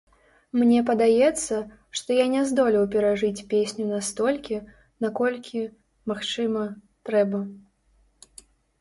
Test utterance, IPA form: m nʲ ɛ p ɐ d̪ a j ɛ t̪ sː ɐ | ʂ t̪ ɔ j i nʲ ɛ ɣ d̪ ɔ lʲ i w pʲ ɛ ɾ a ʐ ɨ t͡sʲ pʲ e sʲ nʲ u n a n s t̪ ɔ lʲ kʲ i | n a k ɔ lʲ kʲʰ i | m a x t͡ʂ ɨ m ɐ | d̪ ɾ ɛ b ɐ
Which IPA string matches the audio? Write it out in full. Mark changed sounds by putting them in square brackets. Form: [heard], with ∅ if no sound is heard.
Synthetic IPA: m nʲ ɛ p ɐ d̪ a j ɛ t̪ sː ɐ | ʂ t̪ ɔ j [a] nʲ ɛ [z] d̪ ɔ lʲ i w pʲ ɛ ɾ a ʐ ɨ t͡sʲ pʲ e sʲ nʲ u n a [∅] s t̪ ɔ lʲ kʲ i | n a k ɔ lʲ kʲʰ i | m a x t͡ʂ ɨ m ɐ | [t̪] ɾ ɛ b ɐ